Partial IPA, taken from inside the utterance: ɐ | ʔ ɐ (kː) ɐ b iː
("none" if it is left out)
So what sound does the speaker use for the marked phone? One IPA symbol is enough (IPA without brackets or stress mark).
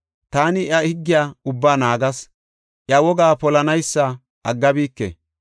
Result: ɡː